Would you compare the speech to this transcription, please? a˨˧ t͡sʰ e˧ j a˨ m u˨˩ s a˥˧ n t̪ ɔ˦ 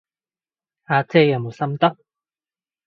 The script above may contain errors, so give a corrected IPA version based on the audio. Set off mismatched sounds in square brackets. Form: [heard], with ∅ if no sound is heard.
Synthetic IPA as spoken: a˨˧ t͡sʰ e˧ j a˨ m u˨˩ s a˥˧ [m] t̪ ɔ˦